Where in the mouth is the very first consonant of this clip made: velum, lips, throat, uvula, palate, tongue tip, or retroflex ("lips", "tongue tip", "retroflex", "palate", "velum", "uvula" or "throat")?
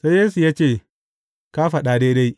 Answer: tongue tip